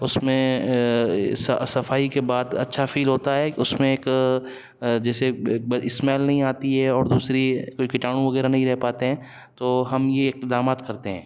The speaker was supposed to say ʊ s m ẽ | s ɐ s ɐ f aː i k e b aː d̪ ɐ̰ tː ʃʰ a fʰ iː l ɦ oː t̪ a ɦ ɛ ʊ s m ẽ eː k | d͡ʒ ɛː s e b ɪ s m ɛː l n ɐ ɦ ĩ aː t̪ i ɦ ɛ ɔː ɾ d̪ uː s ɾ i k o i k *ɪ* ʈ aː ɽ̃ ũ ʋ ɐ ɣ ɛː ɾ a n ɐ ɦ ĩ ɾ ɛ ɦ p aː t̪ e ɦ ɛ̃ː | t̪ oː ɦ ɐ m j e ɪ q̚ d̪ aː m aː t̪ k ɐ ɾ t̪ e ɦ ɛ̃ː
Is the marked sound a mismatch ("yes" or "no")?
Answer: no